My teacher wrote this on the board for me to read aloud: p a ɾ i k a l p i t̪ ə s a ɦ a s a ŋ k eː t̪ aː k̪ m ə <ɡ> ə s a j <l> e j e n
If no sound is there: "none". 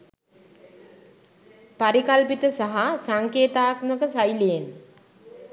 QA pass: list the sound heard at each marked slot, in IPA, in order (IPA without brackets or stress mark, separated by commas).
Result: k, l